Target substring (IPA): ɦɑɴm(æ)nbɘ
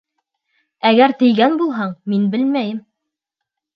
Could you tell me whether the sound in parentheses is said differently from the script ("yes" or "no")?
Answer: yes